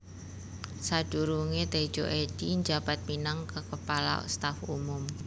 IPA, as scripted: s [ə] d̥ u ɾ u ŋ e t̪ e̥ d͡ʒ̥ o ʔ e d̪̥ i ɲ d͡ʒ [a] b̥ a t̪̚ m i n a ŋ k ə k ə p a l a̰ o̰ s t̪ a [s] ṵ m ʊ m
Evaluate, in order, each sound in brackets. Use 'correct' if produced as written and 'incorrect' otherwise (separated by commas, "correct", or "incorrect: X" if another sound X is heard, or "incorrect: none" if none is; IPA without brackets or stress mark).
incorrect: a, correct, incorrect: f